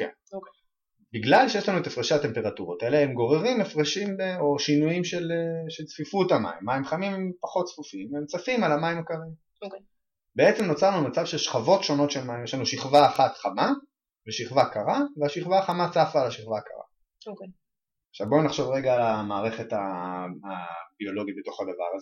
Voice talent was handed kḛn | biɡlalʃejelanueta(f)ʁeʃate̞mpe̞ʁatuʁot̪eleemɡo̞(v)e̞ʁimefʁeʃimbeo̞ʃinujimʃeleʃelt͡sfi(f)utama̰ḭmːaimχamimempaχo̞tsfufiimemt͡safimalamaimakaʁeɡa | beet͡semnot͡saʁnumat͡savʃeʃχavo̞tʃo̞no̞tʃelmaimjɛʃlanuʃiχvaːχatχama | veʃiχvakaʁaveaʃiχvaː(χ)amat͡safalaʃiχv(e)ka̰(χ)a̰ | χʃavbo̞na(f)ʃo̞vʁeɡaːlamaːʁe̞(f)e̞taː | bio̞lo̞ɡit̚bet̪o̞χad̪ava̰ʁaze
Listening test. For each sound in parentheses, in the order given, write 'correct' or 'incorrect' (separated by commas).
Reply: correct, incorrect, correct, correct, incorrect, incorrect, incorrect, incorrect